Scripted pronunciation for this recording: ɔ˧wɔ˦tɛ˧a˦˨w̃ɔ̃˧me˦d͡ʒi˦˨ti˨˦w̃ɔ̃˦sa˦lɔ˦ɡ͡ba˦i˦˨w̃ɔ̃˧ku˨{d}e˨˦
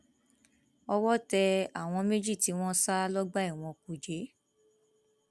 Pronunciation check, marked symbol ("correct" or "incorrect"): incorrect